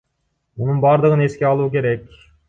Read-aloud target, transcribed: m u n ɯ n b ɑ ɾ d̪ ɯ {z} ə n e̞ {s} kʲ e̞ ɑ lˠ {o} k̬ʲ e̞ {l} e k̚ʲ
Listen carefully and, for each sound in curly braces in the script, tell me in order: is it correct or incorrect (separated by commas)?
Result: incorrect, correct, incorrect, incorrect